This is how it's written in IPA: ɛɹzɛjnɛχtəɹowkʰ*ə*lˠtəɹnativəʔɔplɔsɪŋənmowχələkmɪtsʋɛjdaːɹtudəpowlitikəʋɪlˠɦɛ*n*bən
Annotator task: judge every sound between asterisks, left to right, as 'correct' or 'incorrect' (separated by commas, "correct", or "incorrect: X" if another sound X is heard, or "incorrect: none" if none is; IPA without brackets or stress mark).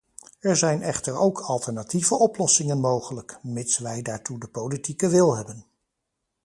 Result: incorrect: ɑ, incorrect: none